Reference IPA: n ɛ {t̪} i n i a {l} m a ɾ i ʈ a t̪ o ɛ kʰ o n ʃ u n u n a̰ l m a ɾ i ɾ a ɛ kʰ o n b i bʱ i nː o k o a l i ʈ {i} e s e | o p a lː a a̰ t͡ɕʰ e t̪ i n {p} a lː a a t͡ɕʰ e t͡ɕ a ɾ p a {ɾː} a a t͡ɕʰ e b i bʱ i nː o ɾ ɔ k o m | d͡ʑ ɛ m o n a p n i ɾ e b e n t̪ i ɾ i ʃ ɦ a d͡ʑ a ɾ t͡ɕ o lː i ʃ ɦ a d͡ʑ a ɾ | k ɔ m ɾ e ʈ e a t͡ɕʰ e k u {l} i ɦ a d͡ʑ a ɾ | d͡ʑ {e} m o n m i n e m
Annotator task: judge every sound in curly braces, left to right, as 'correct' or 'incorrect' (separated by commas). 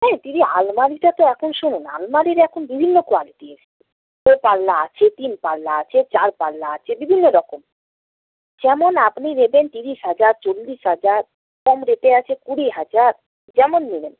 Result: correct, correct, correct, correct, incorrect, incorrect, incorrect